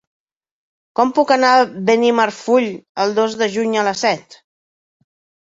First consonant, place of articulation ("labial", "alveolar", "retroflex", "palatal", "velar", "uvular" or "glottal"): velar